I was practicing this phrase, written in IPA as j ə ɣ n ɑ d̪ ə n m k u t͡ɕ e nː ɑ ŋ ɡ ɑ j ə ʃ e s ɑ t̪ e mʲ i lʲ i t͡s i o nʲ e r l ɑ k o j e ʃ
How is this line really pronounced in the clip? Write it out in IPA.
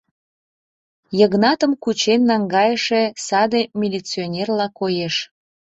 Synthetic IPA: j ə ɣ n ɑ t̪ ə m k u t͡ɕ e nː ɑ ŋ ɡ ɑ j ə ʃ e s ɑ d̪ e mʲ i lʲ i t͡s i o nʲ e r l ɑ k o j e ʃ